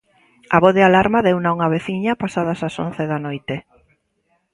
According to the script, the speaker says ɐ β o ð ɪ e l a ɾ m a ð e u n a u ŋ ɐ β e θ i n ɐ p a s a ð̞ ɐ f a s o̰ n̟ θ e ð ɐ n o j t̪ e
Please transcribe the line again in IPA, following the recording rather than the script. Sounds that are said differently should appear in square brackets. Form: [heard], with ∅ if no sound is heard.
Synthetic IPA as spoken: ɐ β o ð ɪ [a] l a ɾ m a ð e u n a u ŋ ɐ β e θ i [ɲ] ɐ p a s a ð̞ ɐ [s] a s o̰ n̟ θ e ð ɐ n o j t̪ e